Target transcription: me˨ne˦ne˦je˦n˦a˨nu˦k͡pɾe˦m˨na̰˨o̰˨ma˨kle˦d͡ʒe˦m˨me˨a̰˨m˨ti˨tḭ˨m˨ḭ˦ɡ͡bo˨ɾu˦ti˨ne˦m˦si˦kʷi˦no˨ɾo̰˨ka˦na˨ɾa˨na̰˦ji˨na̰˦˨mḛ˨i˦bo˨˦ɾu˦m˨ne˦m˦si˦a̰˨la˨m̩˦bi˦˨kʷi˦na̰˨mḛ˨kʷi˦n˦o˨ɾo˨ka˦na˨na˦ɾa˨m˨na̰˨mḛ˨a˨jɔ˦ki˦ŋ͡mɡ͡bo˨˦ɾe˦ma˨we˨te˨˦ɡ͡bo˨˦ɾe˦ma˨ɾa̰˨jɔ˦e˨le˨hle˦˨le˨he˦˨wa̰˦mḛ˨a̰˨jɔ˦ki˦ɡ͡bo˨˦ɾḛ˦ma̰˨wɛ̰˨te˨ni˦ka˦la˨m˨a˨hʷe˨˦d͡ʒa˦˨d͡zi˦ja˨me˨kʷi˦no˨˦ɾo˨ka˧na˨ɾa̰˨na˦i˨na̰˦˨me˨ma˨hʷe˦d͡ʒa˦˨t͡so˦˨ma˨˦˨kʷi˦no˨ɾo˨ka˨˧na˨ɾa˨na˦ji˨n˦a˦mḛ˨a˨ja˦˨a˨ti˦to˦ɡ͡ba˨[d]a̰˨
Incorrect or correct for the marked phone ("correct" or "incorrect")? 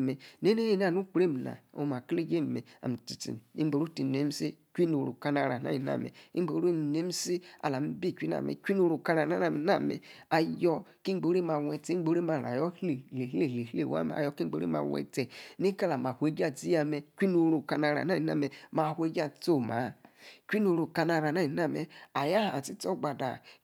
correct